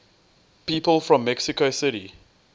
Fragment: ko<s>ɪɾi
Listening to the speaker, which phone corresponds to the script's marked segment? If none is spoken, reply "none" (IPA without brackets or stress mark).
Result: s